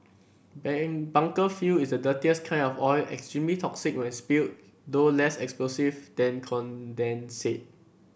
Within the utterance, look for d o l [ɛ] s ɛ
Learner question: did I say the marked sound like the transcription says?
yes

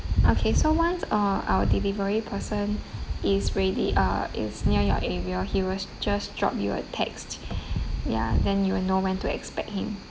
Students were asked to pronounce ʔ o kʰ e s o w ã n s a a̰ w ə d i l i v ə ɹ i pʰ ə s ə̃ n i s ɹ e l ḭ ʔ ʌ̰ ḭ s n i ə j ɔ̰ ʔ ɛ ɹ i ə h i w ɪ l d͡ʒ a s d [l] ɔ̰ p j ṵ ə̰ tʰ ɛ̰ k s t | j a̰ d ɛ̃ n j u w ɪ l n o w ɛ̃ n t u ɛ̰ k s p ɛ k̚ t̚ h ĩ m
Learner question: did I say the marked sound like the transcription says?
no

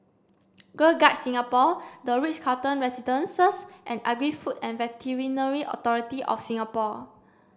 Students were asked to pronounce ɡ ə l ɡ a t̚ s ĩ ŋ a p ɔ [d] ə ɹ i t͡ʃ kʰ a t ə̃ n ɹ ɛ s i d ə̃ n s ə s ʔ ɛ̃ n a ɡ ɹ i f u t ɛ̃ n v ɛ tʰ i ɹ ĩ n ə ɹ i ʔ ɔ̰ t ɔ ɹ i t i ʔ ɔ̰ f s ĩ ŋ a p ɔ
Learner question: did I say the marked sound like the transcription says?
yes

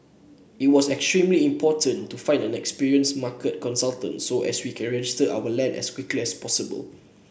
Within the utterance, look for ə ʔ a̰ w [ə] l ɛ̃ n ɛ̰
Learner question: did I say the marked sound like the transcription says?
yes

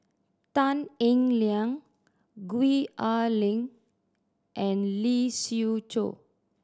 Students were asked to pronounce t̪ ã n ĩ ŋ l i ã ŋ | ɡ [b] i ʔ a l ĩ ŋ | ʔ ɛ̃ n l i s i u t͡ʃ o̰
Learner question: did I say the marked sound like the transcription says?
no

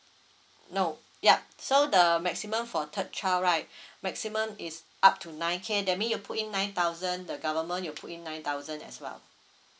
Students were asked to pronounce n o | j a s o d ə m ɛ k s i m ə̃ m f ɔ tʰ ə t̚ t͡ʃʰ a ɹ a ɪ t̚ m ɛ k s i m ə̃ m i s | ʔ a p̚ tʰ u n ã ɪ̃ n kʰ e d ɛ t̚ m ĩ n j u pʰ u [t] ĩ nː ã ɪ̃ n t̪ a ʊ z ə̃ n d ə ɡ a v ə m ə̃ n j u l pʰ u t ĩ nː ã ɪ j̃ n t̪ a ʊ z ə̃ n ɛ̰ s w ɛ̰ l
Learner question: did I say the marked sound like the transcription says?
yes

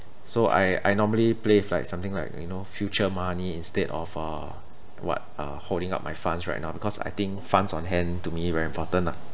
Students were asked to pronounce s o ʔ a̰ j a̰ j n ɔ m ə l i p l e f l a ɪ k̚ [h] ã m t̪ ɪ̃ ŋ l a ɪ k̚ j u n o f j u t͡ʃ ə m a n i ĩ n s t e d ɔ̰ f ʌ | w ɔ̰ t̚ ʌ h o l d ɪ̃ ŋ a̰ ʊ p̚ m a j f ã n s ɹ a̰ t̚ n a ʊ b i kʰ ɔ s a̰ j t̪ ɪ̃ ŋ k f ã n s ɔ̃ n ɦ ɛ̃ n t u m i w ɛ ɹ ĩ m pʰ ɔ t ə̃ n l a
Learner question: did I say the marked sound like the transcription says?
no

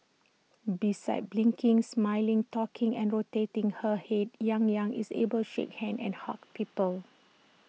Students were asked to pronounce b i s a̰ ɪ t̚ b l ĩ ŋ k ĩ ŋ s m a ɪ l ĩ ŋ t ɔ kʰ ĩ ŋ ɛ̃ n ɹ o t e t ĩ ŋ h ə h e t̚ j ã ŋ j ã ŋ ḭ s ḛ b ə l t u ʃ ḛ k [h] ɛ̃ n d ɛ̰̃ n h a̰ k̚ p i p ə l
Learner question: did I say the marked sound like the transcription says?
yes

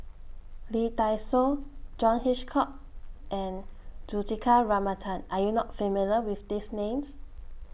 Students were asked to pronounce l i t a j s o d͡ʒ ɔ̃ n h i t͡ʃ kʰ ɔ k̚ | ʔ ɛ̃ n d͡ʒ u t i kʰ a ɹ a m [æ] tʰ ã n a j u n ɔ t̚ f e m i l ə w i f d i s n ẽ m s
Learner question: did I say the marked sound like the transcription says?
no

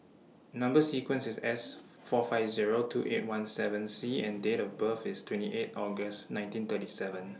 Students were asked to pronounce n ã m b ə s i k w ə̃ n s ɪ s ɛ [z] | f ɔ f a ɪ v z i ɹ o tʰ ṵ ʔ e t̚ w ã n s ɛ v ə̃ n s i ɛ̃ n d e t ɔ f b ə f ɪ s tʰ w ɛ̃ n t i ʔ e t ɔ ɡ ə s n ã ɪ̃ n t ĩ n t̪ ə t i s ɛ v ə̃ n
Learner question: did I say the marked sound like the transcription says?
no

